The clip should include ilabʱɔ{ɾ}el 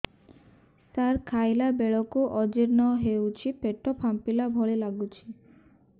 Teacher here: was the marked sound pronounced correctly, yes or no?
no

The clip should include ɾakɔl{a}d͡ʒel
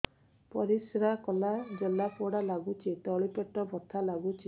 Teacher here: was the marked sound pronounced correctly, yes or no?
yes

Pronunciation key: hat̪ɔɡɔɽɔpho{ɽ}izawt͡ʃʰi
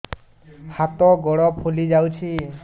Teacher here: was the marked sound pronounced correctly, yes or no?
no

